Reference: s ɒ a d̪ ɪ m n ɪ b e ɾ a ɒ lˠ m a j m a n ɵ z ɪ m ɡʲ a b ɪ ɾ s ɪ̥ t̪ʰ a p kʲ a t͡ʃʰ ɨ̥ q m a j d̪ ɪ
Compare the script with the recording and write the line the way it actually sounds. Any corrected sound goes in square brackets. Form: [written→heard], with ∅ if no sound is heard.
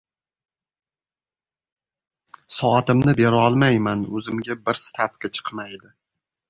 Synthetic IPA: s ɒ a [d̪→t̪] ɪ m n ɪ b e ɾ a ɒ lˠ m a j m a n ɵ z ɪ m ɡʲ a b ɪ ɾ s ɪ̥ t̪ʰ a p kʲ a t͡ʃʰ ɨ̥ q m a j d̪ ɪ